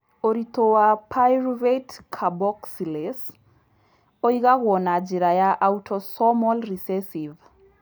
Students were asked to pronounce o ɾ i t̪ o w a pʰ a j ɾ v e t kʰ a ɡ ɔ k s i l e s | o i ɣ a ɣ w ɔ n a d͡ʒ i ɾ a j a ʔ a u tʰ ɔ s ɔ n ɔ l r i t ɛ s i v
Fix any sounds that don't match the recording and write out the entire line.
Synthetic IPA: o ɾ i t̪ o w a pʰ a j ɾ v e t kʰ a b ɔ k s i l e s | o i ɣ a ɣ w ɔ n a d͡ʒ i ɾ a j a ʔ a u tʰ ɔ s ɔ m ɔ l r i s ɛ s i v

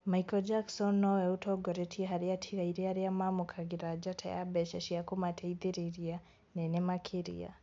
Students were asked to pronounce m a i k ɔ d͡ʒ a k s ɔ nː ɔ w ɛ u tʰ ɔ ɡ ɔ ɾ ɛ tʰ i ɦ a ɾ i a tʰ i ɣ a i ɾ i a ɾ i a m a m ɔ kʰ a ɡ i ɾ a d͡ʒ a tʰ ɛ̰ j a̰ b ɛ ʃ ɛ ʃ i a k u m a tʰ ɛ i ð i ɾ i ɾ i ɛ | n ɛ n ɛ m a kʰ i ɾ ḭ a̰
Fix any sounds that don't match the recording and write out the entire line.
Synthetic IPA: m a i k ɔ d͡ʒ a k s ɔ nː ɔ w ɛ u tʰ ɔ ɡ ɔ ɾ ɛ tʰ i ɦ a ɾ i a tʰ i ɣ a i ɾ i a ɾ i a m a m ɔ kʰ a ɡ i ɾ a d͡ʒ a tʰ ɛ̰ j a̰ b ɛ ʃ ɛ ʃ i a k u m a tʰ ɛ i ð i ɾ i ɾ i a | n ɛ n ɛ m a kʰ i ɾ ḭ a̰

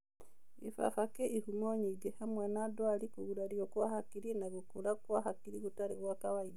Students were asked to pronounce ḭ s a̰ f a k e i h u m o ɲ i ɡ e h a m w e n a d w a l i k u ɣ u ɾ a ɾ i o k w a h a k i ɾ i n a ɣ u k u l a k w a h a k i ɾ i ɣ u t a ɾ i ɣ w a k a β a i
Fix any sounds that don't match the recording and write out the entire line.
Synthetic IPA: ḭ f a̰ f a k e i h u m o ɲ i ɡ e h a m w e n a d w a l i k u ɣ u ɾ a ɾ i o k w a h a k i ɾ i n a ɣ u k u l a k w a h a k i ɾ i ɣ u t a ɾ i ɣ w a k a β a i

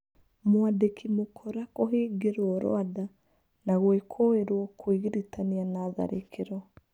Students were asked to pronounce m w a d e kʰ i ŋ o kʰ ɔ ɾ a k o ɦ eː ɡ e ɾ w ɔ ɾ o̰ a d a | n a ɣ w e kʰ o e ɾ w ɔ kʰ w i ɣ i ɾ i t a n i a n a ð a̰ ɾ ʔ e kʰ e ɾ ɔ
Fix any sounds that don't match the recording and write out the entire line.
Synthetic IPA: m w a d e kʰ i m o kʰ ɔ ɾ a k o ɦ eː ɡ e ɾ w ɔ ɾ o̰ a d a | n a ɣ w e kʰ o e ɾ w ɔ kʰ w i ɣ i ɾ i t a n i a n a ð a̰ ɾ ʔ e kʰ e ɾ ɔ

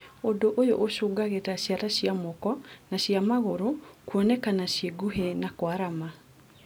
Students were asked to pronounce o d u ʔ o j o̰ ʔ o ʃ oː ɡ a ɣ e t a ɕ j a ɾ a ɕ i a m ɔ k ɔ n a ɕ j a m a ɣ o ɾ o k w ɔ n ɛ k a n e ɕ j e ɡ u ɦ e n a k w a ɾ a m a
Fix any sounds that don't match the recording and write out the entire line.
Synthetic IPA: o d o ʔ o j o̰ ʔ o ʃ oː ɡ a ɣ e t a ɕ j a ɾ a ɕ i a m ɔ k ɔ n a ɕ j a m a ɣ o ɾ o k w ɔ n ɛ k a n a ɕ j e ɡ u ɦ e n a k w a ɾ a m a

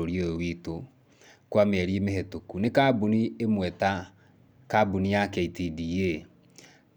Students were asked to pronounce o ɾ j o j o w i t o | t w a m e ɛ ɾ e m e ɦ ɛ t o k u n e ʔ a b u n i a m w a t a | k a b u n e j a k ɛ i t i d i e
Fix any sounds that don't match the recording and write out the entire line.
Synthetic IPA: o ɾ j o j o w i t o | k w a m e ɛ ɾ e m e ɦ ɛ t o k u n e k a b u n i e m w ɛ t a | k a b u n i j a k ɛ i t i d i e

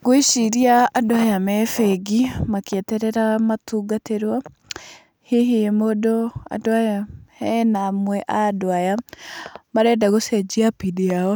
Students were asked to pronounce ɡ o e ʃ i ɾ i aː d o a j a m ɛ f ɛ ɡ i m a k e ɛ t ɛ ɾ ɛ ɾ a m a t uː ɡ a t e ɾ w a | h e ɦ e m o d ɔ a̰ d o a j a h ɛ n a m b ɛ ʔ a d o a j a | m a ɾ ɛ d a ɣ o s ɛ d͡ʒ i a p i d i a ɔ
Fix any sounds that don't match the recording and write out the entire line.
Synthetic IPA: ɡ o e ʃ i ɾ i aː d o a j a m ɛ f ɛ ɡ i m a k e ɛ t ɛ ɾ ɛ ɾ a m a t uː ɡ a t e ɾ w a | h e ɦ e m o d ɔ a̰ d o a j a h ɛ n a m w ɛ ʔ a d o a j a | m a ɾ ɛ d a ɣ o s ɛ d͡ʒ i a p i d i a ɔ

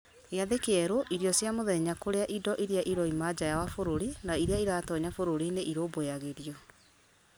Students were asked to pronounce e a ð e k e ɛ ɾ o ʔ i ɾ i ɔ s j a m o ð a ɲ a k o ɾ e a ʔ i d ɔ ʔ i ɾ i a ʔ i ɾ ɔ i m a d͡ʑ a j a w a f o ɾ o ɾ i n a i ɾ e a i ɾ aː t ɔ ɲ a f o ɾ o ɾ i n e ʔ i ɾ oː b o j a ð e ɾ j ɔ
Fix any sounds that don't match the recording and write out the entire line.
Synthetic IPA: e a ð e k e ɛ ɾ o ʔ i ɾ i ɔ s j a m o ð ɛ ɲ a k o ɾ e a ʔ i d ɔ ʔ i ɾ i a ʔ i ɾ ɔ i m a d͡ʑ a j a w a f o ɾ o ɾ i n a i ɾ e a i ɾ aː t ɔ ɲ a f o ɾ o ɾ i n e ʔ i ɾ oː b o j a ɣ e ɾ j ɔ

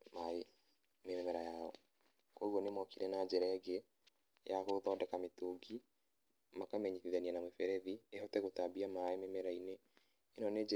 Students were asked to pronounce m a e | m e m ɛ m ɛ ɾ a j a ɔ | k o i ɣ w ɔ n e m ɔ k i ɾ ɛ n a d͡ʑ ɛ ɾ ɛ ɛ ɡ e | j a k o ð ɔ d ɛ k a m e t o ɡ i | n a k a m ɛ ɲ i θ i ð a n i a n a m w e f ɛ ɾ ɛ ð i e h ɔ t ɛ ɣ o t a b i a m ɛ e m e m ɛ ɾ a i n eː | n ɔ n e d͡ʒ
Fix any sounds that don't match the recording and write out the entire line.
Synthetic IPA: m a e | m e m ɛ m ɛ ɾ a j a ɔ | k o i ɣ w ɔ n e m ɔ k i ɾ ɛ n a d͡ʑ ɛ ɾ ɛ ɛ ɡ e | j a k o ð ɔ d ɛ k a m e t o ɡ i | m a k a m ɛ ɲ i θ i ð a n i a n a m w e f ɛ ɾ ɛ ð i e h ɔ t ɛ ɣ o t a b i a m a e m e m ɛ ɾ a i n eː | n ɔ n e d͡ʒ

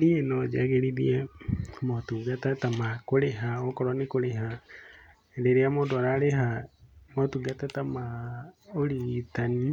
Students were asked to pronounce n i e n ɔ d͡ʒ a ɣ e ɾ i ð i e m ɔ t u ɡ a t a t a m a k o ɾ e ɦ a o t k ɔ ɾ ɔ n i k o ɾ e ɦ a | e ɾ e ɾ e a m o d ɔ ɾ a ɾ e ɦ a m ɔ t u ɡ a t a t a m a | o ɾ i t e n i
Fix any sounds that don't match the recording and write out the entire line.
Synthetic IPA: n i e n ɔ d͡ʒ a ɣ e ɾ i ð i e m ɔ t u ɡ a t a t a m a k o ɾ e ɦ a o k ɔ ɾ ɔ n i k o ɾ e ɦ a | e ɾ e ɾ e a m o d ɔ ɾ a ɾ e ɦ a m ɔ t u ɡ a t a t a m a | o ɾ i t a n i

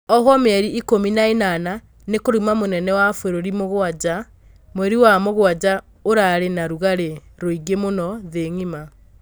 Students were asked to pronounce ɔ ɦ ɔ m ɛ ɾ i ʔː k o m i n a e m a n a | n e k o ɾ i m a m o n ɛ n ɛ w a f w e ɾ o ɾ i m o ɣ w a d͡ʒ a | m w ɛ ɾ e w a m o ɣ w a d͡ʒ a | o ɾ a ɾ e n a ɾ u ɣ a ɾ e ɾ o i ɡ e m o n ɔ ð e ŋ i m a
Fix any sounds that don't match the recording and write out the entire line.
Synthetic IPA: ɔ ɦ ɔ m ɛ ɾ i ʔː k o m i n a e n a n a | n e k o ɾ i m a m o n ɛ n ɛ w a f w e ɾ o ɾ i m o ɣ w a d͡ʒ a | m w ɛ ɾ i w a m o ɣ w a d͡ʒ a | o ɾ a ɾ e n a ɾ u ɣ a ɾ e ɾ o i ɡ e m o n ɔ ð e ŋ i m a

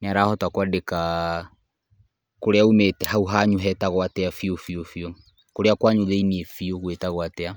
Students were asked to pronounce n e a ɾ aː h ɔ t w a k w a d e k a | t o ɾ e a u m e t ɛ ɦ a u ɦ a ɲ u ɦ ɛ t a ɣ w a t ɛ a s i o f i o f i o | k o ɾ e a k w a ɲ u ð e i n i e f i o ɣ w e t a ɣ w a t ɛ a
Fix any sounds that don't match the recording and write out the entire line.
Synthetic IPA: n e a ɾ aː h ɔ t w a k w a d e k a | k o ɾ e a u m e t ɛ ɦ a u ɦ a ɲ u ɦ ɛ t a ɣ w a t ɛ a f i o f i o f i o | k o ɾ e a k w a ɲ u ð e i n i e f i o ɣ w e t a ɣ w a t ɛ a

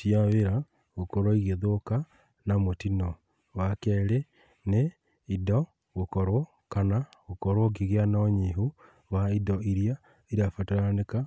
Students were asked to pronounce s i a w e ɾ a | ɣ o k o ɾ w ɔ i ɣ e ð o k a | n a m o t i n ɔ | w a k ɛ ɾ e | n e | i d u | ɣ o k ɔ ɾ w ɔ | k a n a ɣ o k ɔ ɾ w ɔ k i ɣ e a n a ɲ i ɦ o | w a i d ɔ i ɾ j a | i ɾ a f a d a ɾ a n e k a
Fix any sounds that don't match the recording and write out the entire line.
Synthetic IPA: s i a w e ɾ a | ɣ o k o ɾ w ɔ i ɣ e ð o k a | n a m o t i n ɔ | w a k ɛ ɾ e | n e | i d ɔ | ɣ o k ɔ ɾ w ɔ | k a n a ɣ o k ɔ ɾ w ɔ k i ɣ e a n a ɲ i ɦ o | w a i d ɔ i ɾ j a | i ɾ a f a t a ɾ a n e k a

